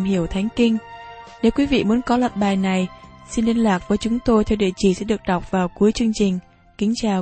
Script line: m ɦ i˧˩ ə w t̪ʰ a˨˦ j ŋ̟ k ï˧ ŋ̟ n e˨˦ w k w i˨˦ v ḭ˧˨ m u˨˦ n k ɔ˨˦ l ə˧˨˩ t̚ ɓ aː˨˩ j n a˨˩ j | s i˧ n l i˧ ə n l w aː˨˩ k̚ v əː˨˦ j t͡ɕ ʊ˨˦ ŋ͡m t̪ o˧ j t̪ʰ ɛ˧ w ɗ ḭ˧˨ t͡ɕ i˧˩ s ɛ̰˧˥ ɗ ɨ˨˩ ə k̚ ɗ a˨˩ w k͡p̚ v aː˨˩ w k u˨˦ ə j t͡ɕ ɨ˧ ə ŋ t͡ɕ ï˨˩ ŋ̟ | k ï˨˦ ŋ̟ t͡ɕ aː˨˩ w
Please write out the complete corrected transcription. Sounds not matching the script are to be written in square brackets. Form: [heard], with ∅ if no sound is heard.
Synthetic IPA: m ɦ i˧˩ ə w t̪ʰ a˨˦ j ŋ̟ k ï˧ ŋ̟ n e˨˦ w k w i˨˦ v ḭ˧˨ m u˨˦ n k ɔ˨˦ l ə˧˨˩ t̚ ɓ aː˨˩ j n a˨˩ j | s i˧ n l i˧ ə n l w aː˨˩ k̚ v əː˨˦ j t͡ɕ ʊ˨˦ ŋ͡m t̪ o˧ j t̪ʰ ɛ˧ w ɗ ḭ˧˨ t͡ɕ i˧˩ s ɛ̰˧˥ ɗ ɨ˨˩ ə k̚ ɗ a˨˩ w k͡p̚ v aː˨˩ w k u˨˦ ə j t͡ɕ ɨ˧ ə ŋ t͡ɕ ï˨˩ ŋ̟ | k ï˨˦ ŋ̟ t͡ɕ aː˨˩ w